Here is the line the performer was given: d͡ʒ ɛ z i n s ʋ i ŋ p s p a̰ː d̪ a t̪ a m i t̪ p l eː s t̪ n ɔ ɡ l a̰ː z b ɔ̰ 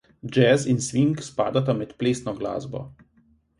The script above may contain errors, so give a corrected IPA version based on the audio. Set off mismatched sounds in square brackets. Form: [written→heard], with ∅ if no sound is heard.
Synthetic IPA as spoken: d͡ʒ ɛ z i n s ʋ i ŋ [p→k] s p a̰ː d̪ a t̪ a m [i→ɛ] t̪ p l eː s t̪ n ɔ ɡ l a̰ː z b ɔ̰